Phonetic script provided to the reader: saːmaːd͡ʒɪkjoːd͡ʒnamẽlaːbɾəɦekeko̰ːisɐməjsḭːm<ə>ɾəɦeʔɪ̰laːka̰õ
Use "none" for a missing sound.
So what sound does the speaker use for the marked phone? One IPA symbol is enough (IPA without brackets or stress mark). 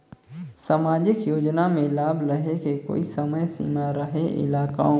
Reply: a